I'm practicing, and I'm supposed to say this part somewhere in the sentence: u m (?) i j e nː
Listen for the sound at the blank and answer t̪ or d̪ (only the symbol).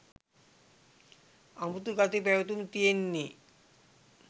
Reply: t̪